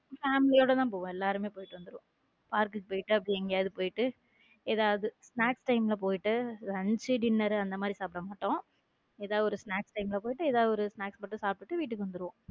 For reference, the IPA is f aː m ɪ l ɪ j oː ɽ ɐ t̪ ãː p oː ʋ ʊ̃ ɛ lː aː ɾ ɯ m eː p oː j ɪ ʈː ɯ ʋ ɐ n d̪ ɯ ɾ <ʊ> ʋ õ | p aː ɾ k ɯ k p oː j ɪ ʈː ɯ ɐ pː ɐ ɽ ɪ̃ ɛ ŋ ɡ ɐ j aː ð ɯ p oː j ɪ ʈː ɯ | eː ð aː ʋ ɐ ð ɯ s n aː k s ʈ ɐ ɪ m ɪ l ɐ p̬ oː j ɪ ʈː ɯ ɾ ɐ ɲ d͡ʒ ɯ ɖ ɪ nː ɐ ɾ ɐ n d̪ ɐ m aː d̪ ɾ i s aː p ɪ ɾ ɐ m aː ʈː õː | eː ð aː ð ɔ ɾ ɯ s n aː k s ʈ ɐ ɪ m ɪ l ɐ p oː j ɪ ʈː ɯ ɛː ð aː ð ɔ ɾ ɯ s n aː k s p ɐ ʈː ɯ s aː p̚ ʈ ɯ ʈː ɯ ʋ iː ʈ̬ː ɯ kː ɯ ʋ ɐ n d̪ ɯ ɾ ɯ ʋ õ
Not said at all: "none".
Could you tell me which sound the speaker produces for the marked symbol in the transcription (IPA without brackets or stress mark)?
ɯ